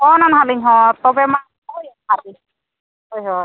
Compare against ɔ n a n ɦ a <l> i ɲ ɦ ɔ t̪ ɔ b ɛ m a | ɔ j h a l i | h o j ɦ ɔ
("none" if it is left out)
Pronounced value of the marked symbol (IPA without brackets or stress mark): l